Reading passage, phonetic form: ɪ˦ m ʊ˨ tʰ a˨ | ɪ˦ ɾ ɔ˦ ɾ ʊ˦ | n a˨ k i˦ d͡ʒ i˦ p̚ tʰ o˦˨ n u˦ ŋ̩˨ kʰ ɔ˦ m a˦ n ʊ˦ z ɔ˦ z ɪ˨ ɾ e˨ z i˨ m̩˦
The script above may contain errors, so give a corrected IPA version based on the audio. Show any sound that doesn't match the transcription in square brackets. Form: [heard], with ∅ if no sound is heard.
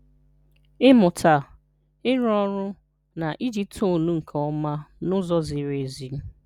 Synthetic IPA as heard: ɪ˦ m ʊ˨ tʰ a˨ | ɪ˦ ɾ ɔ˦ ɾ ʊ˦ | n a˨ [ʔ] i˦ d͡ʒ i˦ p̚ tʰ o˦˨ n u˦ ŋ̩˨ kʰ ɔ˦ m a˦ n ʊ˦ z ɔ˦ z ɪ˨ ɾ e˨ z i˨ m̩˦

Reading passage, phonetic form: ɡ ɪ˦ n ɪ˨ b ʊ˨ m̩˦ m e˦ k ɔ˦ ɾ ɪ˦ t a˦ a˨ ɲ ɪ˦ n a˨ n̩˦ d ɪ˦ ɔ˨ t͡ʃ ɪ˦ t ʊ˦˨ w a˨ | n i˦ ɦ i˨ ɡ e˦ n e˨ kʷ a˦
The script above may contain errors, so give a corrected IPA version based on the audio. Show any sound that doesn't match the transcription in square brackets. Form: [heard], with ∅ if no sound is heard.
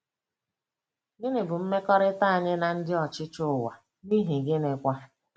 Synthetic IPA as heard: ɡ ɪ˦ n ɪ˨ b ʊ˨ m̩˦ m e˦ k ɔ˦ ɾ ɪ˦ t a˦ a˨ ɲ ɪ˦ n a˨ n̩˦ d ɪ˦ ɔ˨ t͡ʃ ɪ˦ [t͡ʃ] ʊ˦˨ w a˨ | n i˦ ɦ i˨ ɡ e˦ n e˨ kʷ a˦

